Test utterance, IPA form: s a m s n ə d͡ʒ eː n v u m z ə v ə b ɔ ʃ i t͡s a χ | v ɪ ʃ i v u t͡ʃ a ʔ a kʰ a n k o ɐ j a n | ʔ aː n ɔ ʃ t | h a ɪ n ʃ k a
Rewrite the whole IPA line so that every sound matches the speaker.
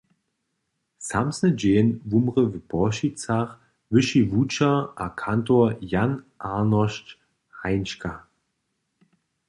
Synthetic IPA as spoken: s a m s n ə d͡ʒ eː n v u m ʁ ə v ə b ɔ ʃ i t͡s a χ | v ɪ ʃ i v u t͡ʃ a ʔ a kʰ a n t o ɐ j a n | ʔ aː n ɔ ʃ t | h a ɪ n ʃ k a